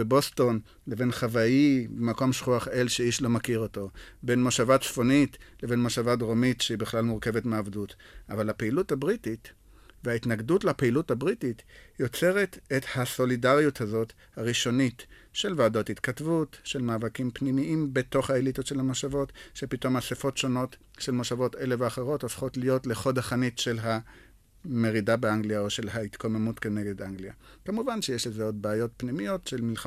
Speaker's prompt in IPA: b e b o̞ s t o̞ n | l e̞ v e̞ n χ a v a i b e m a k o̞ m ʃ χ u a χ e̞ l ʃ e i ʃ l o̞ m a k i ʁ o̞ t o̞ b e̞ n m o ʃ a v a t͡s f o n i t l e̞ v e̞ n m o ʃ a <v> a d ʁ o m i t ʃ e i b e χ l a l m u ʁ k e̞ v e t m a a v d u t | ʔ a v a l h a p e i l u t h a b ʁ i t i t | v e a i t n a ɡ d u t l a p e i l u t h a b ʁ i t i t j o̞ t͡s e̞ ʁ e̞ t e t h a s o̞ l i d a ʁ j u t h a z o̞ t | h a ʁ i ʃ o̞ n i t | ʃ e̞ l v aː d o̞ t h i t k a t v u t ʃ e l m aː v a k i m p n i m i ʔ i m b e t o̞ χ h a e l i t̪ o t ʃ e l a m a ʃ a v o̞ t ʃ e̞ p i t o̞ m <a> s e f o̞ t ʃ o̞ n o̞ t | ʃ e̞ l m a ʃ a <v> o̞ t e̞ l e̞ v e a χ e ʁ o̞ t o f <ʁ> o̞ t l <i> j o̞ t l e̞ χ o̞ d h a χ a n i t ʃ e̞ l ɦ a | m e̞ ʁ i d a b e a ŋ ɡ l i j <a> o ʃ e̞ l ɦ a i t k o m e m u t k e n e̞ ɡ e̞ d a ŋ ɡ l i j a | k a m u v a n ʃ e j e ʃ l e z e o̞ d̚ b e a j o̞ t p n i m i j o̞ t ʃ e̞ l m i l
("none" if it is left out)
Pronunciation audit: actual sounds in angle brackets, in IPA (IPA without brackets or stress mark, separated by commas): v, a, v, χ, i, a